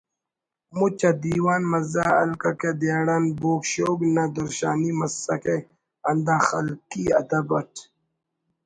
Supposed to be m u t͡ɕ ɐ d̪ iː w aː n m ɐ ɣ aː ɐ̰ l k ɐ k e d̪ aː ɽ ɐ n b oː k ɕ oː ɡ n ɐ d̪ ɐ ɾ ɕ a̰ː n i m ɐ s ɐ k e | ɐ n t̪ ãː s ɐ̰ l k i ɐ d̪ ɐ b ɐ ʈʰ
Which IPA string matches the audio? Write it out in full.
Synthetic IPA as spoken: m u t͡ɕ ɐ d̪ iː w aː n m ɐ z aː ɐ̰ l k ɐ k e d̪ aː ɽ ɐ n b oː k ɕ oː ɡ n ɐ d̪ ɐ ɾ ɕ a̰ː n i m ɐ s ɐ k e | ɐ n d̪ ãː x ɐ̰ l k i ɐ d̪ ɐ b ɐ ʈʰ